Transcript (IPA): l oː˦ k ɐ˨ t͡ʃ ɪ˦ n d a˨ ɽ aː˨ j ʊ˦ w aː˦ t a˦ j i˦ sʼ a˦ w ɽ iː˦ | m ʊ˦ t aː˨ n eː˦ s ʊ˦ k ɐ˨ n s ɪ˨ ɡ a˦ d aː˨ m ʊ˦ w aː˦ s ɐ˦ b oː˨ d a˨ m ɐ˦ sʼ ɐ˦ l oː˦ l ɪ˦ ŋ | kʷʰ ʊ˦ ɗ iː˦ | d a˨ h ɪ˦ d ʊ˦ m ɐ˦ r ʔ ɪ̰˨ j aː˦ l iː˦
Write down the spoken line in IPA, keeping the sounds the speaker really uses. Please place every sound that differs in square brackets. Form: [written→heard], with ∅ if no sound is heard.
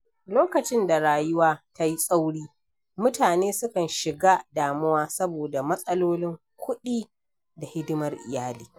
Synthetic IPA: l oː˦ k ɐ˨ t͡ʃ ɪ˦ n d a˨ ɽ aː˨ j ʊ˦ w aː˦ t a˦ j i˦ sʼ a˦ w ɽ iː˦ | m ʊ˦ t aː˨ n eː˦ s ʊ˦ k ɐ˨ n [s→ʃ] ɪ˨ ɡ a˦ d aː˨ m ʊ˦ w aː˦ s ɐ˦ b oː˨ d a˨ m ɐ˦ sʼ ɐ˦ l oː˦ l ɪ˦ ŋ | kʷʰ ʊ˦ ɗ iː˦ | d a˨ h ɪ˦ d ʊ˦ m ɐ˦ r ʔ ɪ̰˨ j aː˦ l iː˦